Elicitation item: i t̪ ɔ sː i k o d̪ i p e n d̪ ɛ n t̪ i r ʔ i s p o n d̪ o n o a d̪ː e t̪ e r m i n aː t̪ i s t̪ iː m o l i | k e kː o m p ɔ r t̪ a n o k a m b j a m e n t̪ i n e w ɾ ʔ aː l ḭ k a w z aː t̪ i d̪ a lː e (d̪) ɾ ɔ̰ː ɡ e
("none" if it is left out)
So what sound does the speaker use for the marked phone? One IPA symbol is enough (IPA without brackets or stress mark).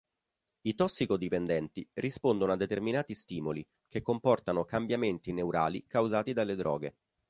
d̪